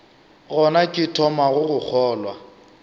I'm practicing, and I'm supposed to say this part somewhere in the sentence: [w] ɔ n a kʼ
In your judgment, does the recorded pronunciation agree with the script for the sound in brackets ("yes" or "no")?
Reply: no